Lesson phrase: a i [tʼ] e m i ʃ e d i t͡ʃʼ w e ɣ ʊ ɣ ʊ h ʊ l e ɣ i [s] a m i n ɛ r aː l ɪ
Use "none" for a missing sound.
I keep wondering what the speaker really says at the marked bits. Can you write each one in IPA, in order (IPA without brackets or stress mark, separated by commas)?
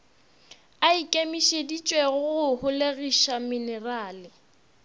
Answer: kʼ, ʃ